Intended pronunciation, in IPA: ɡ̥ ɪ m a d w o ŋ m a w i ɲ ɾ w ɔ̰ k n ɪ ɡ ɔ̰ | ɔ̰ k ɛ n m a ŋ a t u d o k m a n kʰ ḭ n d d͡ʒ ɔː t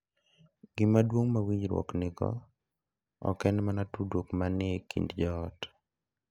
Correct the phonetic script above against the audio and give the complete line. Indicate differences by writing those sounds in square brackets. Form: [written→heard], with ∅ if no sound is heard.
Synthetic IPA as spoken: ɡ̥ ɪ m a d w o ŋ m a w i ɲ ɾ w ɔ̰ k n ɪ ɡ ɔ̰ | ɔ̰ k ɛ n m a [ŋ→n] a t u d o k m a n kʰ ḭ n d d͡ʒ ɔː t

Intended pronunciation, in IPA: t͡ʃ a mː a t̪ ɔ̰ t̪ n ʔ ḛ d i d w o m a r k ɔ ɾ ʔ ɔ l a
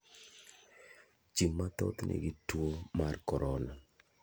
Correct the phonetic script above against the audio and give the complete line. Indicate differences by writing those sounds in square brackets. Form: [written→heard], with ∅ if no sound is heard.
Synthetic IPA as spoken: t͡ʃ [a→i] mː a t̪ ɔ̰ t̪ n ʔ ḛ [d→ɡ] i [d→t] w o m a r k ɔ ɾ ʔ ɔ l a

